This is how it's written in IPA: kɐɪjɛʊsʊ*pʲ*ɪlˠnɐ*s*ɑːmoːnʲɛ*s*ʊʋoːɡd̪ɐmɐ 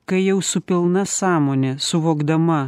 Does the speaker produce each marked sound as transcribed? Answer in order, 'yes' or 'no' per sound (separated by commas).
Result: yes, yes, yes